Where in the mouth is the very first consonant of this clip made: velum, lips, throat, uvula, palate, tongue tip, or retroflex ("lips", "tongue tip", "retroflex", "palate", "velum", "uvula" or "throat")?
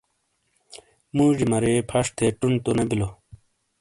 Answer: lips